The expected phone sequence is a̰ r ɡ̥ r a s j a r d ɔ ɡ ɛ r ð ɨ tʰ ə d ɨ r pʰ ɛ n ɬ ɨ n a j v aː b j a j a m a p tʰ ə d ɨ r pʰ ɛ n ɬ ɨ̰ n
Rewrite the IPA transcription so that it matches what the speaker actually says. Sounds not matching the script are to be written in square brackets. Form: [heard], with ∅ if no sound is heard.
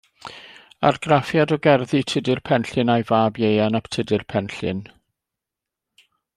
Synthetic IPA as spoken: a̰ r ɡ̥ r a [f] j a [∅] d ɔ ɡ ɛ r ð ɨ tʰ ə d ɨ r pʰ ɛ n ɬ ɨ n a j v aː b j [e] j a [n] a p tʰ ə d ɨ r pʰ ɛ n ɬ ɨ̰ n